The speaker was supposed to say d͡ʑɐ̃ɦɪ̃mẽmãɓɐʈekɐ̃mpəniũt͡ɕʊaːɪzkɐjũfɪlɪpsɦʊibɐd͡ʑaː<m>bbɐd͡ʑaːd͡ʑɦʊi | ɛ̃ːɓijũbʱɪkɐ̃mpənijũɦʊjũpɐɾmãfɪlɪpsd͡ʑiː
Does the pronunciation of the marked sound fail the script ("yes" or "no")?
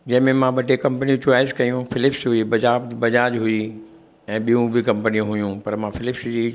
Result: yes